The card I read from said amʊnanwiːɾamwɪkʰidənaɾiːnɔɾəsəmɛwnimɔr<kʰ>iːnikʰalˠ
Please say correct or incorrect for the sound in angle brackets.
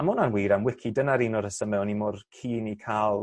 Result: correct